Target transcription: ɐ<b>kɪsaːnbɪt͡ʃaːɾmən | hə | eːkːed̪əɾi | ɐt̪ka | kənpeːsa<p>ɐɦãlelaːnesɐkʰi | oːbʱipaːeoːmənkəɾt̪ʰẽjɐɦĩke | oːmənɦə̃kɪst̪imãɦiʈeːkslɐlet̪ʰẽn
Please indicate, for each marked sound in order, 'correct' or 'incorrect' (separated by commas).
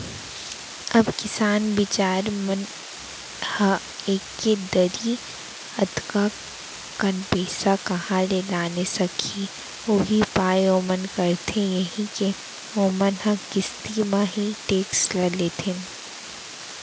correct, incorrect